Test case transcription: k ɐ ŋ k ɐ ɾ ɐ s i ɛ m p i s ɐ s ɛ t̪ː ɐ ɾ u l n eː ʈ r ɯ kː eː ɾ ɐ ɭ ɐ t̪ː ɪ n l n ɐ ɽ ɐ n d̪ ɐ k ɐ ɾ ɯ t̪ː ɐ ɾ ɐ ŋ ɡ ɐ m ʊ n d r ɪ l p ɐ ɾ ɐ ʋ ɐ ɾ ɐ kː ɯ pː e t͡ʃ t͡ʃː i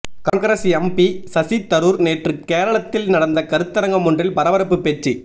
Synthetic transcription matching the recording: k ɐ ŋ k ɐ ɾ ɐ s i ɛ m p i s ɐ s i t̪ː ɐ ɾ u ɾ n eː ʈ r ɯ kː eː ɾ ɐ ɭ ɐ t̪ː ɪ l n ɐ ɽ ɐ n d̪ ɐ k ɐ ɾ ɯ t̪ː ɐ ɾ ɐ ŋ ɡ ɐ m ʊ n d r ɪ l p ɐ ɾ ɐ ʋ ɐ ɾ ɐ pː ɯ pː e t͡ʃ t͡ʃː i